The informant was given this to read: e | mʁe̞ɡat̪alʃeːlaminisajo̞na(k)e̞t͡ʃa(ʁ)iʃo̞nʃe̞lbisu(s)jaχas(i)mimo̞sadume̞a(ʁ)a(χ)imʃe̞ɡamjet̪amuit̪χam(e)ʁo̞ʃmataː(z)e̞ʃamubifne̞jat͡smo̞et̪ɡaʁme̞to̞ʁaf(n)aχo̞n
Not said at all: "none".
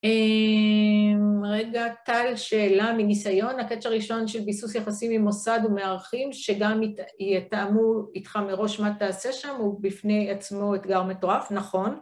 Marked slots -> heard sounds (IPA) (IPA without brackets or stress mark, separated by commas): k, ʁ, s, i, ʁ, χ, e, s, n